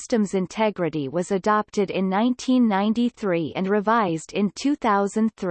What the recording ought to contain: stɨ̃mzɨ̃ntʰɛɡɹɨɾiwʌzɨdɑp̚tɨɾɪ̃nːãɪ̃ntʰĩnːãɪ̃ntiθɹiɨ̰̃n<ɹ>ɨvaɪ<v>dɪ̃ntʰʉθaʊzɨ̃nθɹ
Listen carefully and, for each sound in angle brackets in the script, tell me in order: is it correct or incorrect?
correct, incorrect: z

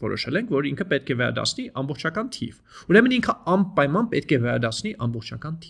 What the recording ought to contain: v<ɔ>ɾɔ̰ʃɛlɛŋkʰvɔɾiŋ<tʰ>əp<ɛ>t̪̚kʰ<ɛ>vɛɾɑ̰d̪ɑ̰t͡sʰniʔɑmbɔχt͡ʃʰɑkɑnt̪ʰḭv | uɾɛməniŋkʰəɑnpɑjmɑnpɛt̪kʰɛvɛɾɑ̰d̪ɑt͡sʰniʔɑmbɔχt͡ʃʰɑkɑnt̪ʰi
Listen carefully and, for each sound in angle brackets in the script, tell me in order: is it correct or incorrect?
correct, incorrect: kʰ, correct, correct

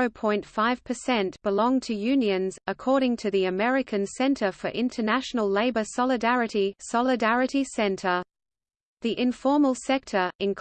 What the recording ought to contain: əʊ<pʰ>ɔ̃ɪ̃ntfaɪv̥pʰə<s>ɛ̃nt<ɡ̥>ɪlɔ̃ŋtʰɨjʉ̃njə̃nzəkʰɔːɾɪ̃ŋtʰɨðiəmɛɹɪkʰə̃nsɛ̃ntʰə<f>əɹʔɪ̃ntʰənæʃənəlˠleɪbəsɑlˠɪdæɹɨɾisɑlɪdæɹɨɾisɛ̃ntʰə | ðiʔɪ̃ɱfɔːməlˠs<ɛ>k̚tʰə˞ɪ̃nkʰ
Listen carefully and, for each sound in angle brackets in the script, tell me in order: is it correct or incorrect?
correct, correct, incorrect: b̥, correct, correct

